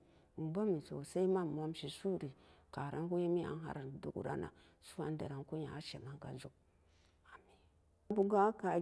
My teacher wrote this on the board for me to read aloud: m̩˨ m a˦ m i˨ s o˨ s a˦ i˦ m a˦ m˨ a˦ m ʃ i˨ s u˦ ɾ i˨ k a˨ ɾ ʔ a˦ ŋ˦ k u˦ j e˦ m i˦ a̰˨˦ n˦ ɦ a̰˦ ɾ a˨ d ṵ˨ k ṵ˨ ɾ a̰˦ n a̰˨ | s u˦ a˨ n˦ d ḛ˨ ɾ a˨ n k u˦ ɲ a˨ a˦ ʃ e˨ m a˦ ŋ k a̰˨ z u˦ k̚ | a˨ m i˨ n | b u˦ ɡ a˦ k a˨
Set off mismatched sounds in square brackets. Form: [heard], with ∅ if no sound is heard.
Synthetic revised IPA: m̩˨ [b] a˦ m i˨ s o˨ s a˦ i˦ m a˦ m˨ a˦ m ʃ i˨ s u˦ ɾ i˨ k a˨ ɾ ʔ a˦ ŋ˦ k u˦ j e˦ m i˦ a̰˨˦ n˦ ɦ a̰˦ ɾ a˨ d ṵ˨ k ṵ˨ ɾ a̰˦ n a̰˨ | s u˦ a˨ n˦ d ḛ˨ ɾ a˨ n k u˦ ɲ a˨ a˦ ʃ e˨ m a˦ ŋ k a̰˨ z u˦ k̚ | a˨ m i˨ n | b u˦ ɡ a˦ k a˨